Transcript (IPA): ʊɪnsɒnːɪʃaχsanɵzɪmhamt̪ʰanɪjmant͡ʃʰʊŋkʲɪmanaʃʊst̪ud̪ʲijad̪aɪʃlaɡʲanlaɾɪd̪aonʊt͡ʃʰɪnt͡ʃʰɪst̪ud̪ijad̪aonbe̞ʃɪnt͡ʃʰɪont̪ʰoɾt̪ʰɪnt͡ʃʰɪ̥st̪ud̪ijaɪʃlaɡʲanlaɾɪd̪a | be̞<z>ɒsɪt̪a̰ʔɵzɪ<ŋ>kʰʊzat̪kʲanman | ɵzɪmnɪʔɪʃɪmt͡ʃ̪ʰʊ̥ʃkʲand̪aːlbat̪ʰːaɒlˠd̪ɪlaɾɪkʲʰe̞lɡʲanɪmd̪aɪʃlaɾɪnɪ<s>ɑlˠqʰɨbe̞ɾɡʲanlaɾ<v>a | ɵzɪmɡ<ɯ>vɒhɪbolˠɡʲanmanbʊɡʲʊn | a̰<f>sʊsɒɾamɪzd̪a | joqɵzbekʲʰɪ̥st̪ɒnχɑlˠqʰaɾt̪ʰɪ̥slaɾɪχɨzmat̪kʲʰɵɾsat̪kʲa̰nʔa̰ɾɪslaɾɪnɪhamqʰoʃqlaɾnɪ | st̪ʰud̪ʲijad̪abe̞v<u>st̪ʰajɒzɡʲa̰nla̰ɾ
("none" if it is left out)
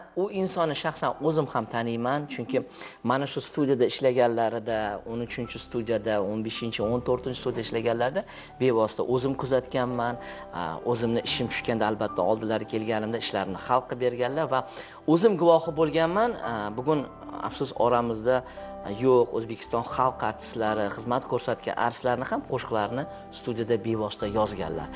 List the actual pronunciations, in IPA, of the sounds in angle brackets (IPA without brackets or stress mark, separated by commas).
v, m, χ, v, ʊ, f, ɒ